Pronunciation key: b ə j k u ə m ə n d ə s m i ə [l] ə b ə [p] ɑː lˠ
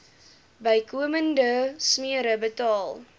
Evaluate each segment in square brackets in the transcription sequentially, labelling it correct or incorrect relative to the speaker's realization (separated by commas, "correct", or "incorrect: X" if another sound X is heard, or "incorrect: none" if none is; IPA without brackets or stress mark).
incorrect: ɾ, incorrect: t